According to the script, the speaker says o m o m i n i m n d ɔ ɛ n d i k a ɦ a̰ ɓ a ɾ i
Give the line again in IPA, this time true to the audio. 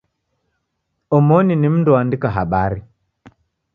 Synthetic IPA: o m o n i n i m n d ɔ a n d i k a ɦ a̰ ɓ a ɾ i